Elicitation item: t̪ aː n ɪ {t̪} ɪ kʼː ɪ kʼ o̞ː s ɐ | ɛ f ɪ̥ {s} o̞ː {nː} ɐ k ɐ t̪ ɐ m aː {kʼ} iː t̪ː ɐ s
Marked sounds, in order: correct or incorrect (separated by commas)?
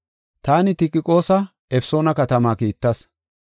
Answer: correct, correct, incorrect, incorrect